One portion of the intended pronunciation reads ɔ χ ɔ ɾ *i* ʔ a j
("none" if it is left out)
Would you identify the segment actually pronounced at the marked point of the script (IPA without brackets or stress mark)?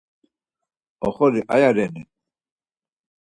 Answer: i